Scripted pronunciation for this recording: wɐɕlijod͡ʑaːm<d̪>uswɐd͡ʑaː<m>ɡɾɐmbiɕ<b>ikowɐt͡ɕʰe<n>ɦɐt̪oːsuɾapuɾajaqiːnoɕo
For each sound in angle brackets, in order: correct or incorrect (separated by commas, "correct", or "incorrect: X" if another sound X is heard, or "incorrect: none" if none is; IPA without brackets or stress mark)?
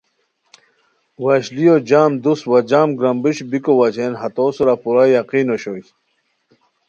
correct, correct, correct, correct